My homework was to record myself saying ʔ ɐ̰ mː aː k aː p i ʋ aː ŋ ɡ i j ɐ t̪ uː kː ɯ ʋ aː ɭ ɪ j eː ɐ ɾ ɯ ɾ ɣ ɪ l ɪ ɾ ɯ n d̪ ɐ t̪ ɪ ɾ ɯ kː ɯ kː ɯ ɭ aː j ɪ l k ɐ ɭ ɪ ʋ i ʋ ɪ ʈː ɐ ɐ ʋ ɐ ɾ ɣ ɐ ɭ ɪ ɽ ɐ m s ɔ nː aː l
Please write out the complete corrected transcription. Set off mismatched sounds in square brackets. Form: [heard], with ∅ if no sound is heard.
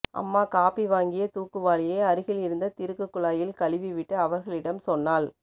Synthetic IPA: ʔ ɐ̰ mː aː k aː p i ʋ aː ŋ ɡ [ɪ] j ɐ t̪ uː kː ɯ ʋ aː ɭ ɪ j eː ɐ ɾ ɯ [∅] ɣ ɪ l ɪ ɾ ɯ n d̪ ɐ t̪ ɪ ɾ ɯ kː ɯ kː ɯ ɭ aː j ɪ l k ɐ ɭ ɪ ʋ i ʋ ɪ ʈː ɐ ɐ ʋ ɐ ɾ ɣ ɐ ɭ ɪ ɽ ɐ m s ɔ nː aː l